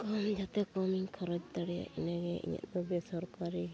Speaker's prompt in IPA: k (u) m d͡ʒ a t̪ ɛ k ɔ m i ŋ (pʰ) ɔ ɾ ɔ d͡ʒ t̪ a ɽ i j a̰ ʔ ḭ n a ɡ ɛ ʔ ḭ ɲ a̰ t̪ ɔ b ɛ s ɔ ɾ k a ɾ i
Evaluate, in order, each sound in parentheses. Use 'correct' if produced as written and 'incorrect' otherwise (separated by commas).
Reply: incorrect, incorrect